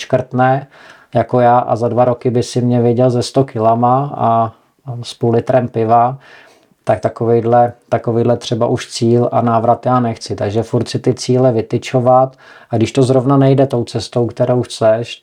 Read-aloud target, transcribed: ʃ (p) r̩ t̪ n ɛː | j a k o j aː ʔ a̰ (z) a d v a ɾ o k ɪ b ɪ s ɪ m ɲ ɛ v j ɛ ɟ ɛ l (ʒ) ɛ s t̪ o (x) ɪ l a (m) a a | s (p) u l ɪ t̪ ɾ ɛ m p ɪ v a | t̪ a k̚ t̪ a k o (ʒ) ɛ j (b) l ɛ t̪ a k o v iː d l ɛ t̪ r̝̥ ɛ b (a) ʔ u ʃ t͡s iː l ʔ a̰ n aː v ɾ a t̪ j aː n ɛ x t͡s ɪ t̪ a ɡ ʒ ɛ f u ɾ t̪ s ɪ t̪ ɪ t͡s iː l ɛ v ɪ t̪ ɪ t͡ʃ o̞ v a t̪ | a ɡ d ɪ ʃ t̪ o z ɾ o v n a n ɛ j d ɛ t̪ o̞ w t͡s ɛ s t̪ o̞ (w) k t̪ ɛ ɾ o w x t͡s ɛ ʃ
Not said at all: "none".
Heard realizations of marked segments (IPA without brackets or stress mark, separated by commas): k, z, z, k, m, p, v, d, a, w